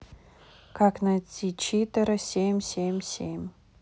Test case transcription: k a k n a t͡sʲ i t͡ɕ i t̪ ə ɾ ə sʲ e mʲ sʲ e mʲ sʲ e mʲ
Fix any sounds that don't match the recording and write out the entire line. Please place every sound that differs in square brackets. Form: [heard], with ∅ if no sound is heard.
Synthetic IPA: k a k n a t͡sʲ i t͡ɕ i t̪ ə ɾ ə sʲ e mʲ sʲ e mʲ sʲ e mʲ